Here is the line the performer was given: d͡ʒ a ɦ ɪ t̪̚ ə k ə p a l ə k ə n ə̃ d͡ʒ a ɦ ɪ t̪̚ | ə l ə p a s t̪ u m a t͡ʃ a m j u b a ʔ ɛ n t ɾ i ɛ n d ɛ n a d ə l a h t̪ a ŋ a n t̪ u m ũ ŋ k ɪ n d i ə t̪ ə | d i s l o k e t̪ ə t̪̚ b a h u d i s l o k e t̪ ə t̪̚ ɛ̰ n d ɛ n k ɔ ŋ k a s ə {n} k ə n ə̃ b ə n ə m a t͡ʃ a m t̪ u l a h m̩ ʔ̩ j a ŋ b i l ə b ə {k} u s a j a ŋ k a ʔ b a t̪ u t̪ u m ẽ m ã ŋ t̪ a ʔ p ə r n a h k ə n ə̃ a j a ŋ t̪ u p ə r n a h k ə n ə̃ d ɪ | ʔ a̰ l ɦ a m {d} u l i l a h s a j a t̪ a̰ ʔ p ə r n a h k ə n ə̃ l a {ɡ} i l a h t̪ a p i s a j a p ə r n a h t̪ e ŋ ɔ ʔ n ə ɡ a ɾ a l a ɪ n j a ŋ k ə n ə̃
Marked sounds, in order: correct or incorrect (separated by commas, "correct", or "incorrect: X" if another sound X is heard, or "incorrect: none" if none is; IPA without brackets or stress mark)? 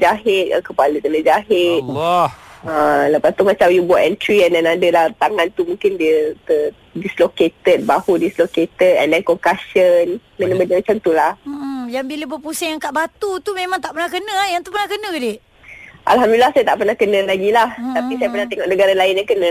correct, incorrect: p, correct, correct